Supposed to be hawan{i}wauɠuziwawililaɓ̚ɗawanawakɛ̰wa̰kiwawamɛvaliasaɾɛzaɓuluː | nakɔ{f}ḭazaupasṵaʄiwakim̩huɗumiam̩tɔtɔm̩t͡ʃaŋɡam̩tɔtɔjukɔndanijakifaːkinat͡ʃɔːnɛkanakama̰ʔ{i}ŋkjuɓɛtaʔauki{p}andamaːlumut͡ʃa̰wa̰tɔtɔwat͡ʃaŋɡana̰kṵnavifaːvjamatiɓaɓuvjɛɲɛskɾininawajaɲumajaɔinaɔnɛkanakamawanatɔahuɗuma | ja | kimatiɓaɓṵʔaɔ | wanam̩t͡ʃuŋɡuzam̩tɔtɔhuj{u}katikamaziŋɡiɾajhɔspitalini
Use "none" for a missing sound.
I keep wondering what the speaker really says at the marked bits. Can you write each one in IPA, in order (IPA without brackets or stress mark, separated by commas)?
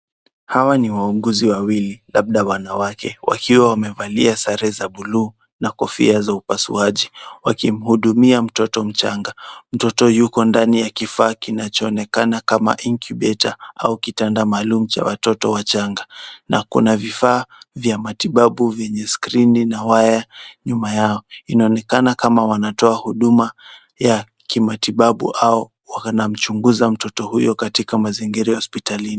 i, f, i, t, ɔ